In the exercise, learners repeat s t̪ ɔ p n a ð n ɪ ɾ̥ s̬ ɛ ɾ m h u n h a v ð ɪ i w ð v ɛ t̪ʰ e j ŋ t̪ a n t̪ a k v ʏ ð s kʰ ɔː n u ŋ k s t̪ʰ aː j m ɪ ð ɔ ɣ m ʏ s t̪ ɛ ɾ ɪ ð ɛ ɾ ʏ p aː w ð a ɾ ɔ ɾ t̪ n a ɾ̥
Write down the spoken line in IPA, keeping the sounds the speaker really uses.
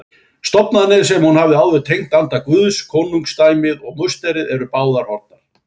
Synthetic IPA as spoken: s t̪ ɔ p n a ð n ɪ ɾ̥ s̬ ɛ m h u n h a v ð ɪ a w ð v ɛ t̪ʰ e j ŋ t̪ a n t̪ a k v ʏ ð s kʰ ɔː n u ŋ k s t̪ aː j m ɪ ð ɔ ɣ m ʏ s t̪ ɛ ɾ ɪ ð ɛ ɾ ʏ p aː w ð a ɾ ɔ ɾ t̪ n a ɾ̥